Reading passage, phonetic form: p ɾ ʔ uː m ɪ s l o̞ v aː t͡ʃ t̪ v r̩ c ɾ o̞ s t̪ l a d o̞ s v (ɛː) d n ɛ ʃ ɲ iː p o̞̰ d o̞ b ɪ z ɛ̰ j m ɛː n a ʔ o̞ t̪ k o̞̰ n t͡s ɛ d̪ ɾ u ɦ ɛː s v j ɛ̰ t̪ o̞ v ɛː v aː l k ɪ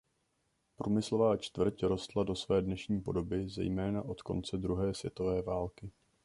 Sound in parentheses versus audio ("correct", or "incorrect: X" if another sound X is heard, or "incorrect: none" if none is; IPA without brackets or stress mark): correct